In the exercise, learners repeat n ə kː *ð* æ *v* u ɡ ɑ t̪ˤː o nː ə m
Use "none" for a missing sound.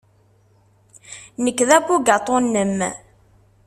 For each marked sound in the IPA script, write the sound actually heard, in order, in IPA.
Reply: ð, b

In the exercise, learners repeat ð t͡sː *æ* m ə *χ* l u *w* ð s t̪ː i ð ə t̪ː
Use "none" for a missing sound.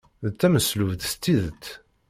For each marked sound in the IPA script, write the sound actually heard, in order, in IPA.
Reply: æ, s, v

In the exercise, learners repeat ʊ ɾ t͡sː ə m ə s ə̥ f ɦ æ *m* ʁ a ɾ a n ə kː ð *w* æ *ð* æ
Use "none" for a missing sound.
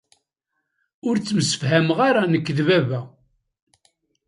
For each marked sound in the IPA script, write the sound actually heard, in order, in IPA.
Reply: m, v, v

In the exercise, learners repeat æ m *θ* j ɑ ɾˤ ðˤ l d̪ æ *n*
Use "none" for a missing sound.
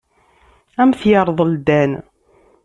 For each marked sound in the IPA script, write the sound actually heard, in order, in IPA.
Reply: θ, n

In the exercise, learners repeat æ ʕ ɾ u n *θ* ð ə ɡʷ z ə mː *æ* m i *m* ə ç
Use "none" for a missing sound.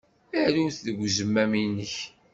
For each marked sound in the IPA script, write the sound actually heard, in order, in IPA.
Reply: θ, æ, n

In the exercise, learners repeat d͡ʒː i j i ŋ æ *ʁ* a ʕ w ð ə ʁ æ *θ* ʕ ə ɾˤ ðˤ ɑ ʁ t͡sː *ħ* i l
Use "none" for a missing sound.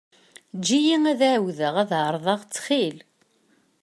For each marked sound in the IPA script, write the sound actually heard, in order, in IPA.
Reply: ð, ð, χ

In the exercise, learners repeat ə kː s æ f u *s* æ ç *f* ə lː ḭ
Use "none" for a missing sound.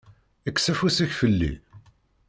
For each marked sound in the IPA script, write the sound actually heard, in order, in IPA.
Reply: s, f

